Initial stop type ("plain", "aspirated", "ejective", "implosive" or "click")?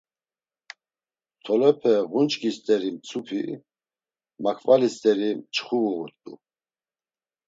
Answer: aspirated